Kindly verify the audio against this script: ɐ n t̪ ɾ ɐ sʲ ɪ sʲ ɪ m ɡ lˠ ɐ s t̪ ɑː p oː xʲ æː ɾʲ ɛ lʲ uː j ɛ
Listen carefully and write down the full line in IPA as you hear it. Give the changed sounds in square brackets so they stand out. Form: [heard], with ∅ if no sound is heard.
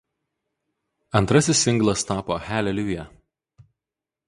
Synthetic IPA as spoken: ɐ n t̪ ɾ ɐ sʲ ɪ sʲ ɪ [ŋ] ɡ lˠ ɐ s t̪ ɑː p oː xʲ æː [lʲ] ɛ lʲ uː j ɛ